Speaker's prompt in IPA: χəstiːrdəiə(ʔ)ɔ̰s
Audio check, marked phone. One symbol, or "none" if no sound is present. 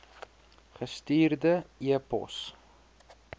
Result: p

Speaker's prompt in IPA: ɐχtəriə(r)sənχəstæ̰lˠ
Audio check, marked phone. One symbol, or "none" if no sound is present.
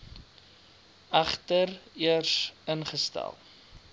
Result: r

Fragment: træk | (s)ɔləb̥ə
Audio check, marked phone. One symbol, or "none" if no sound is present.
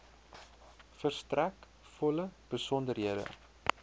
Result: f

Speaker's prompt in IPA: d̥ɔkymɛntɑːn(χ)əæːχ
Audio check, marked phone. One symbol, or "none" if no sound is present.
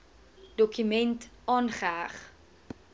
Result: χ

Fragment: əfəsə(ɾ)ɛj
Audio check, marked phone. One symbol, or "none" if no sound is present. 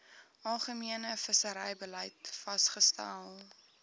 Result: ɾ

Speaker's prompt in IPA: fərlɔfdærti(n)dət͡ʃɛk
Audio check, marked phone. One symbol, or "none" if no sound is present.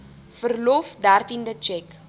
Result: n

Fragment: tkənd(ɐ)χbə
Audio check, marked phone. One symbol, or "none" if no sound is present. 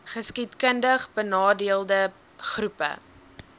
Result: ə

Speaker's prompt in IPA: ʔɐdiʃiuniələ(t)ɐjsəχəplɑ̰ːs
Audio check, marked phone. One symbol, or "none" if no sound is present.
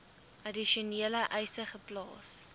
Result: ʔ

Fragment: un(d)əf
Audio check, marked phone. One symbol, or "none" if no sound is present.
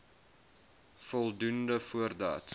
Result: d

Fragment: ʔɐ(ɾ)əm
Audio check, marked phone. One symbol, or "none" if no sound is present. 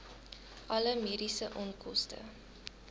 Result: l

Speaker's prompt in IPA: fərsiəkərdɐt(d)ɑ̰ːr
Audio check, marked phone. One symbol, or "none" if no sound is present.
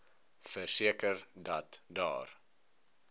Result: d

